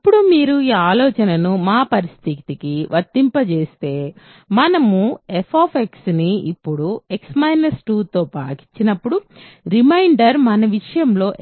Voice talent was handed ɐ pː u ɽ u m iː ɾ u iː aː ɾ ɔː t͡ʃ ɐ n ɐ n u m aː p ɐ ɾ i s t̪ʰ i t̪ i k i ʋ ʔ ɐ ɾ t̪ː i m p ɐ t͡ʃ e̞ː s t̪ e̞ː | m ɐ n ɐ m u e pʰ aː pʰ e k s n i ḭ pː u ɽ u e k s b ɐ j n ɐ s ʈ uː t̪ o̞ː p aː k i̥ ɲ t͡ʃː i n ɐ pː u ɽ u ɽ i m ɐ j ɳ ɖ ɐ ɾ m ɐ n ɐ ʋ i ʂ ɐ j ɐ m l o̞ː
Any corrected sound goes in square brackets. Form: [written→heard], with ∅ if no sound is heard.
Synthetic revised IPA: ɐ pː u ɽ u m iː ɾ u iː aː [ɾ→l] ɔː t͡ʃ ɐ n ɐ n u m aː p ɐ ɾ i s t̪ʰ i t̪ i k i ʋ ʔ ɐ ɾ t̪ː i m p ɐ t͡ʃ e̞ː s t̪ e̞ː | m ɐ n ɐ m u e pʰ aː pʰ e k s n i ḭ pː u ɽ u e k s [b→m] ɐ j n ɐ s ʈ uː t̪ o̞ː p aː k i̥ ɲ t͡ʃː i n ɐ pː u ɽ u [ɽ→ɾ] i m ɐ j ɳ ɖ ɐ ɾ m ɐ n ɐ ʋ i ʂ ɐ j ɐ m l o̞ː